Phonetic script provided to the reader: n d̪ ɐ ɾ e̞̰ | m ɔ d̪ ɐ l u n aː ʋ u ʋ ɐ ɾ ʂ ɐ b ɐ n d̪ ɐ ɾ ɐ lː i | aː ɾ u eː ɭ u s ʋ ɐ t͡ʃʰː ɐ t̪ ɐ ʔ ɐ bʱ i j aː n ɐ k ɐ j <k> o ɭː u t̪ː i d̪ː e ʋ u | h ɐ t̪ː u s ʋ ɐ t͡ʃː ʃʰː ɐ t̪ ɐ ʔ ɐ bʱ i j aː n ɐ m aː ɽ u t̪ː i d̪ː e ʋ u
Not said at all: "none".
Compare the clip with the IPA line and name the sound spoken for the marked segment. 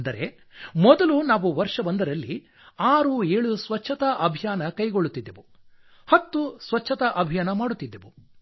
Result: ɡ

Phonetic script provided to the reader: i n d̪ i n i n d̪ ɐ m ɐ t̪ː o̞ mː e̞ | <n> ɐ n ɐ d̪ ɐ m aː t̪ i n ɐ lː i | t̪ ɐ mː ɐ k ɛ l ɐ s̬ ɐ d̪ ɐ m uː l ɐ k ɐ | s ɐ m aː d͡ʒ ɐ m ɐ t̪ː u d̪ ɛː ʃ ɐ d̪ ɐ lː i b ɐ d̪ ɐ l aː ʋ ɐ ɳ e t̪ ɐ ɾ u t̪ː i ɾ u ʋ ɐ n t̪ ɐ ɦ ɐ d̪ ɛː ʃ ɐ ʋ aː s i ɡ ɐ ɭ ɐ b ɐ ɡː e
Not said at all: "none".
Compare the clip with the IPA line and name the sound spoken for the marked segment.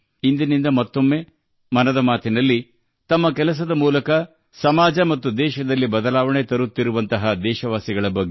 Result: m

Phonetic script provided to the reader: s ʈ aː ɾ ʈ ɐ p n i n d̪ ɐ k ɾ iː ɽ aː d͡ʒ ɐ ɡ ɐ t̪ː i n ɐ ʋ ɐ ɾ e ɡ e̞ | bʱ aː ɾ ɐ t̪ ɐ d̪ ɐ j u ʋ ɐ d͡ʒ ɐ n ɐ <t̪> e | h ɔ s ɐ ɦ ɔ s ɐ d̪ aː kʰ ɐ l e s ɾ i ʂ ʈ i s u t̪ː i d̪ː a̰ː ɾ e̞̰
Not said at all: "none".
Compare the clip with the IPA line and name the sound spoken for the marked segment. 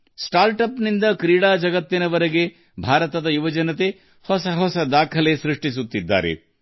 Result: t̪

